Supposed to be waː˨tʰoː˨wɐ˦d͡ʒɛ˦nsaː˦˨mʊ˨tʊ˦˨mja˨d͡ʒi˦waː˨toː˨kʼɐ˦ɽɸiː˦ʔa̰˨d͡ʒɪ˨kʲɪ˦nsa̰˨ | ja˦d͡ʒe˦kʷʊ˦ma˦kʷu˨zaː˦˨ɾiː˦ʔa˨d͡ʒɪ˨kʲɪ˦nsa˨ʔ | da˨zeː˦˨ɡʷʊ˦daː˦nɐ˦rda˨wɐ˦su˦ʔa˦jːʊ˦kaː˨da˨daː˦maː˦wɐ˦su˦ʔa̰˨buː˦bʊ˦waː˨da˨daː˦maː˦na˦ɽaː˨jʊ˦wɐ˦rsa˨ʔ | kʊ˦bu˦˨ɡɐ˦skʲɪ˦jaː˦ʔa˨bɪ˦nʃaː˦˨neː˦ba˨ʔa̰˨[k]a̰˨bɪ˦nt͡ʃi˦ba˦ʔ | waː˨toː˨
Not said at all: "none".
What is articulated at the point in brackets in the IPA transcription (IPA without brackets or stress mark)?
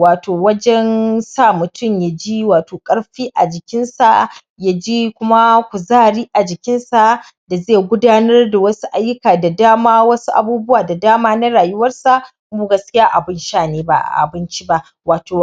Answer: ʔ